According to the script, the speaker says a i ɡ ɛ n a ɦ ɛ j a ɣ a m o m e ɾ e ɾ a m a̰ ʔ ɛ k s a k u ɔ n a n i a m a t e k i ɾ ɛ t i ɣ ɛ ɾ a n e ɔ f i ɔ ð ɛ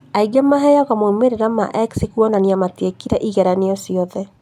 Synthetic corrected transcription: a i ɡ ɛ m a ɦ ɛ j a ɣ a m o m e ɾ e ɾ a m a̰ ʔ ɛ k s i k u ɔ n a n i a m a t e k i ɾ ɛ ʔ i ɣ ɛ ɾ a n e ɔ s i ɔ ð ɛ